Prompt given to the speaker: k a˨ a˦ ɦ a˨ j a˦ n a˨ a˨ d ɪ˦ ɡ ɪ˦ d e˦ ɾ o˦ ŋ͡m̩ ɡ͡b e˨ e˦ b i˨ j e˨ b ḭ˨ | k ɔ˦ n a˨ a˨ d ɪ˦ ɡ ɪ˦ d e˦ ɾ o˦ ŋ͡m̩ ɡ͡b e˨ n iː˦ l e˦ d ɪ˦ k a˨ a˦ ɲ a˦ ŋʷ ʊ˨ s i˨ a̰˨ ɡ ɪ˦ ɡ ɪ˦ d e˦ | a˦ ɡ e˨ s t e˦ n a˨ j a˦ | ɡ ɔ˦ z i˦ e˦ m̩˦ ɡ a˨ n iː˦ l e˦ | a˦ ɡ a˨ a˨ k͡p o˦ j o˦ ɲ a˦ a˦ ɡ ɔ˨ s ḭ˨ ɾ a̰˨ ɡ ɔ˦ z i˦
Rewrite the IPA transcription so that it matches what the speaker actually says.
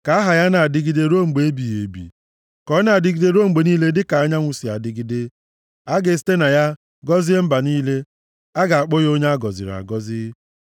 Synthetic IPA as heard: k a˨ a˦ ɦ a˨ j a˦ n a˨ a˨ d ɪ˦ ɡ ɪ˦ d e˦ ɾ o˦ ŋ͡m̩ ɡ͡b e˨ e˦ b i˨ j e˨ b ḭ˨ | k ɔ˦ n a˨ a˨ d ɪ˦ ɡ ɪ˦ d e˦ ɾ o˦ ŋ͡m̩ ɡ͡b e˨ n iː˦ l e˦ d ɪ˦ k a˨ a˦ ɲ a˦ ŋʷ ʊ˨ s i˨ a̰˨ d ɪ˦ ɡ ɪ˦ d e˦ | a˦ ɡ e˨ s t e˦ n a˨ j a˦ | ɡ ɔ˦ z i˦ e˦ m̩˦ b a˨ n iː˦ l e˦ | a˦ ɡ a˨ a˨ k͡p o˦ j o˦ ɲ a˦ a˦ ɡ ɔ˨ z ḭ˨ ɾ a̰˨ ɡ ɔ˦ z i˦

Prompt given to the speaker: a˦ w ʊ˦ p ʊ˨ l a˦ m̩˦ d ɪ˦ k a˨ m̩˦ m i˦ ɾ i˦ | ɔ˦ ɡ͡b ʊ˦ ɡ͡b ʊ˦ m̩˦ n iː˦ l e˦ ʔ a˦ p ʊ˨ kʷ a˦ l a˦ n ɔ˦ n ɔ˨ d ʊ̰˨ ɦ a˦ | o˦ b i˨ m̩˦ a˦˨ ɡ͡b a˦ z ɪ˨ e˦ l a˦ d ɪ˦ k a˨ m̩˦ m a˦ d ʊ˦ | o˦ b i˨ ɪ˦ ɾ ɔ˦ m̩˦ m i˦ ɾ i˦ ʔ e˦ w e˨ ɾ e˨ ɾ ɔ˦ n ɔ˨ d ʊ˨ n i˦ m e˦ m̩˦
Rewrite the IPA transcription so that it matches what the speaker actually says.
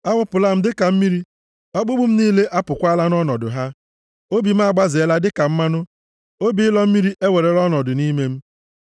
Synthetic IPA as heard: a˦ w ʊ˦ p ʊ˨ l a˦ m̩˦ d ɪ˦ k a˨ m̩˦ m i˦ ɾ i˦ | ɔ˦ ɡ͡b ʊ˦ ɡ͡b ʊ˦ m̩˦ n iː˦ l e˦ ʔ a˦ p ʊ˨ kʷ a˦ l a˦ n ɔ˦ n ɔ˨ d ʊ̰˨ ɦ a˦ | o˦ b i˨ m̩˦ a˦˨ ɡ͡b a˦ z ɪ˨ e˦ l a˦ d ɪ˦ k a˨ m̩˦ m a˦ n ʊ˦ | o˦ b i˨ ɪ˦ l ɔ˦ m̩˦ m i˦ ɾ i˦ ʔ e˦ w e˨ ɾ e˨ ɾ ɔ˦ n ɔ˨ d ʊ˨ n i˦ m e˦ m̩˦

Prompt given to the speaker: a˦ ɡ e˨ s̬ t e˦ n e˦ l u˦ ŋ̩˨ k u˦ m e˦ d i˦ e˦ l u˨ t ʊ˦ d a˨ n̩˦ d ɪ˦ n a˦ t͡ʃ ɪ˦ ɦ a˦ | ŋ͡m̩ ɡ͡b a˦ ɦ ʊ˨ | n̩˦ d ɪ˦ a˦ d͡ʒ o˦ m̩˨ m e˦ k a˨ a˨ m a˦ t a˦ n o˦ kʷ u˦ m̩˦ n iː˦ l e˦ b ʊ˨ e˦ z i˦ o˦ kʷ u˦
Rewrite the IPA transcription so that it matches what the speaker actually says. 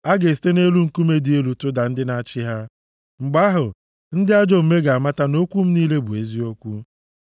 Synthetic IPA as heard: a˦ ɡ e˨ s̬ t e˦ n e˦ l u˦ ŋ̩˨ k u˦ m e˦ d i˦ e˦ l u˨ t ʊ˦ d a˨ n̩˦ d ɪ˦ n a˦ t͡ʃ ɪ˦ ɦ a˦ | ŋ͡m̩ ɡ͡b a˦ ɦ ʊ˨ | n̩˦ d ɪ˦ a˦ d͡ʒ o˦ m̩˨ m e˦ ɡ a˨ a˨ m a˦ t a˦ n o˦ kʷ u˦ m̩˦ n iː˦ l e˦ b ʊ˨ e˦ z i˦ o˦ kʷ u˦

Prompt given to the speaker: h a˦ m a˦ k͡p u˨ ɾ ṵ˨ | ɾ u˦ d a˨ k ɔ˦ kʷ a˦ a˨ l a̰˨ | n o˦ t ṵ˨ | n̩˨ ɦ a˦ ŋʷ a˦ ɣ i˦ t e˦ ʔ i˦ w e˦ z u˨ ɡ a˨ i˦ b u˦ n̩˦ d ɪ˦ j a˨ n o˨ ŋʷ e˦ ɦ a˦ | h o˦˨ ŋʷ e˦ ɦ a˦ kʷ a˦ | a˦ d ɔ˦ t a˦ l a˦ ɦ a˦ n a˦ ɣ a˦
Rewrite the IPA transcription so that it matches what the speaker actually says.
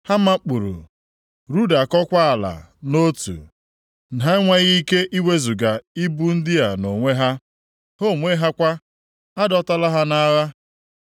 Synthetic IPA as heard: h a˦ m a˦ k͡p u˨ ɾ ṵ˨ | ɾ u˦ d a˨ k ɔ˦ kʷ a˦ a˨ l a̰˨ | n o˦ t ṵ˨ | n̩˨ ɦ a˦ ŋʷ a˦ ɣ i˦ k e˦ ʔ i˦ w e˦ z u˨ ɡ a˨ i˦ b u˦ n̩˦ d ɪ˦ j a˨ n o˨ ŋʷ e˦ ɦ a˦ | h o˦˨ ŋʷ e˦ ɦ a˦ kʷ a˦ | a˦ d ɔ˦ t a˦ l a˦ ɦ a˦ n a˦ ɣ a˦

